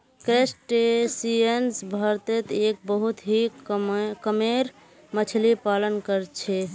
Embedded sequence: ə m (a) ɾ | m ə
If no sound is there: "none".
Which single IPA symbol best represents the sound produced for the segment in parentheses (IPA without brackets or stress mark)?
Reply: e